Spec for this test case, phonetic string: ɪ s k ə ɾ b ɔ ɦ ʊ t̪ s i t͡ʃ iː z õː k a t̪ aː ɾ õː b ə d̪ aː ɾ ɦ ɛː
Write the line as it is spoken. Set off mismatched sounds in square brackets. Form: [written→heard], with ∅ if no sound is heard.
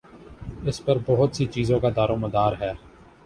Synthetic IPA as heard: ɪ s [k→p] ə ɾ b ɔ ɦ ʊ t̪ s i t͡ʃ iː z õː k a [t̪→d̪] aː ɾ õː [b→m] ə d̪ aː ɾ ɦ ɛː

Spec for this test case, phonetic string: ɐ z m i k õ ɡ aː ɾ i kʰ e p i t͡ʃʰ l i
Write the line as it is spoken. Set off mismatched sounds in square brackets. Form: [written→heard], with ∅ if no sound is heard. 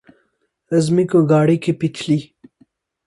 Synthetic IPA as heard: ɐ z m i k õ ɡ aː [ɾ→ɽ] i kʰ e p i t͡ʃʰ l i

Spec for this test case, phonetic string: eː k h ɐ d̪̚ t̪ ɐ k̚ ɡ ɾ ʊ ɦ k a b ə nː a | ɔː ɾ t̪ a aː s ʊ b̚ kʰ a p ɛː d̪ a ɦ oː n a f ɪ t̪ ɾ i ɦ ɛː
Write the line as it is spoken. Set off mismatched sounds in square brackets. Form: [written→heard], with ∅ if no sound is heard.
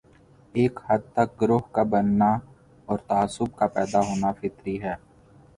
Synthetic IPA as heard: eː k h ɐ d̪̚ t̪ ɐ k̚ ɡ ɾ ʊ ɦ k a b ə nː a | ɔː ɾ t̪ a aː s ʊ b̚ [kʰ→k] a p ɛː d̪ a ɦ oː n a f ɪ t̪ ɾ i ɦ ɛː

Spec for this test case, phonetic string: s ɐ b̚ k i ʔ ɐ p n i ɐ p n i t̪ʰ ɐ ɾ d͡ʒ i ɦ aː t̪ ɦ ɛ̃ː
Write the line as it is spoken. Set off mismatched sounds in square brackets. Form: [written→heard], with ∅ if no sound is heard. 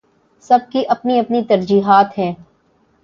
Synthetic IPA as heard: s ɐ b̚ k i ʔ ɐ p n i ɐ p n i [t̪ʰ→t̪] ɐ ɾ d͡ʒ [i→iː] ɦ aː t̪ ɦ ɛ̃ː

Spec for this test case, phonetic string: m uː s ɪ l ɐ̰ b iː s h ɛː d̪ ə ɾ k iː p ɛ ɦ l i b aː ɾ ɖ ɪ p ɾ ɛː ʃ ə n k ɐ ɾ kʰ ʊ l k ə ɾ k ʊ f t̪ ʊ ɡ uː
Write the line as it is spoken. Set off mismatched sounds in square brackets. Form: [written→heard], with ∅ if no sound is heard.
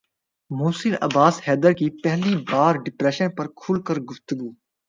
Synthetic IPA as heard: m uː s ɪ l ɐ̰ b [iː→aː] s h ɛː d̪ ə ɾ k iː p ɛ ɦ l i b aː ɾ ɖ ɪ p ɾ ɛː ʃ ə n [k→p] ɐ ɾ kʰ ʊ l k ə ɾ [k→ɡ] ʊ f t̪ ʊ ɡ uː

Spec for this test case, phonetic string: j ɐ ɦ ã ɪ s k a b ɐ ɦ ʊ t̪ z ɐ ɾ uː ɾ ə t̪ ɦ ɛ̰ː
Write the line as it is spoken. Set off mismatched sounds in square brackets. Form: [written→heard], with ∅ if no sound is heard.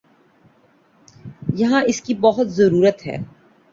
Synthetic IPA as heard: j ɐ ɦ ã ɪ s k [a→i] b ɐ ɦ ʊ t̪ z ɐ ɾ uː ɾ ə t̪ ɦ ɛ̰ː

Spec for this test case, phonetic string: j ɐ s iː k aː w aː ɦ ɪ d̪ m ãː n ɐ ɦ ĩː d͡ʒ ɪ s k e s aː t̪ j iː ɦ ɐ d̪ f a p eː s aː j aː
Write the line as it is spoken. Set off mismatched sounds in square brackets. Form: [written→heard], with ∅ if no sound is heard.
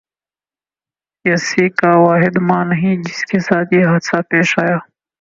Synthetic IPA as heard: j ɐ s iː k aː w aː ɦ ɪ d̪ m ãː n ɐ ɦ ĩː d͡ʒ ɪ s k e s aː t̪ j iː ɦ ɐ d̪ [f→s] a p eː [s→ʃ] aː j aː

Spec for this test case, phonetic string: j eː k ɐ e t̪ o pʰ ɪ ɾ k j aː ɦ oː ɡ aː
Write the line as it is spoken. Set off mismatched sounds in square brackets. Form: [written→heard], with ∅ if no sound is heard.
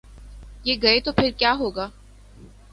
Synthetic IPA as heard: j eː [k→ɡ] ɐ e t̪ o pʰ ɪ ɾ k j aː ɦ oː ɡ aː

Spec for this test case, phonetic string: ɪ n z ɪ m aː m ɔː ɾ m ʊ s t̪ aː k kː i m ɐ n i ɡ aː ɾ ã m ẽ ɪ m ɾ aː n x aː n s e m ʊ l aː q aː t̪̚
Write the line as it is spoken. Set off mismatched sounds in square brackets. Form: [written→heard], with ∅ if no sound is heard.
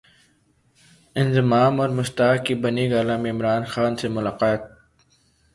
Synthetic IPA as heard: ɪ n z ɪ m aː m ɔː ɾ m ʊ s t̪ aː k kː i [m→b] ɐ n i ɡ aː [ɾ→l] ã m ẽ ɪ m ɾ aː n x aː n s e m ʊ l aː q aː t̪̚

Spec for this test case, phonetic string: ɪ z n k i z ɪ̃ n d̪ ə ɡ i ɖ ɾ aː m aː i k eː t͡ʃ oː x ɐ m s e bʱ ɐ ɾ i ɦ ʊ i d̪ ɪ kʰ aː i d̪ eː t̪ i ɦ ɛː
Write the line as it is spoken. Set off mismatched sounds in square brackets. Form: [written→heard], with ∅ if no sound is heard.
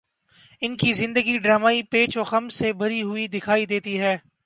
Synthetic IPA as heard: ɪ [z→∅] n k i z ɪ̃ n d̪ ə ɡ i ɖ ɾ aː m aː i [k→p] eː t͡ʃ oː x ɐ m s e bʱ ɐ ɾ i ɦ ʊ i d̪ ɪ kʰ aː i d̪ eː t̪ i ɦ ɛː

